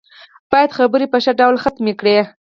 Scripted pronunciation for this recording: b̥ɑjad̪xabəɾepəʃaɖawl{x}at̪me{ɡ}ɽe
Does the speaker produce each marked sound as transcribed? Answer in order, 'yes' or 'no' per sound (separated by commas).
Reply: yes, no